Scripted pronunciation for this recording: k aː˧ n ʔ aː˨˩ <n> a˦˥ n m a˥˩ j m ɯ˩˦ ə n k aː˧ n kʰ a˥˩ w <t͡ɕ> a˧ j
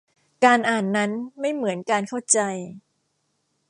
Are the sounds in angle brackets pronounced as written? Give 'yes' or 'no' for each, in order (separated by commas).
no, yes